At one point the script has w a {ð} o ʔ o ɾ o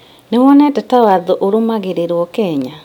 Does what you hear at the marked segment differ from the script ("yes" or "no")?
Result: no